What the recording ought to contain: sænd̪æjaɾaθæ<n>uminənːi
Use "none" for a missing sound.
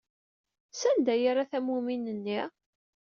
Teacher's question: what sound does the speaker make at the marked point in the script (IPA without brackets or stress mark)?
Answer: m